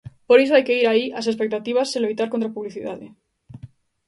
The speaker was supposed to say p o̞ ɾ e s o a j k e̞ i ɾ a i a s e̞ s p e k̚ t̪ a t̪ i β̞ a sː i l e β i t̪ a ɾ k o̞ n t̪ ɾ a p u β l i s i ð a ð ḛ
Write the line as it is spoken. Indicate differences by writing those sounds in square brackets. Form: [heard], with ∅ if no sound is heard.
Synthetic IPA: p o̞ ɾ e s o a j k e̞ i ɾ a i a s e̞ s p e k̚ t̪ a t̪ i β̞ a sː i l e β i t̪ a ɾ k o̞ n t̪ ɾ a p u β l i [θ] i ð a ð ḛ